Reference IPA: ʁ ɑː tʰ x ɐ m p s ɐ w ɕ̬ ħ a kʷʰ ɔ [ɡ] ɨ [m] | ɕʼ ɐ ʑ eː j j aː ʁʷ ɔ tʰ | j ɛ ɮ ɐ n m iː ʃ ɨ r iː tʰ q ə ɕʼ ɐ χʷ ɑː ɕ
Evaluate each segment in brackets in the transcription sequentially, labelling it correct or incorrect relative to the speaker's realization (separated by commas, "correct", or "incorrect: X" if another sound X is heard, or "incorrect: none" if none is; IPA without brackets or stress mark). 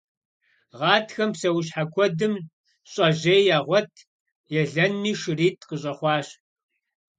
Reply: incorrect: d, correct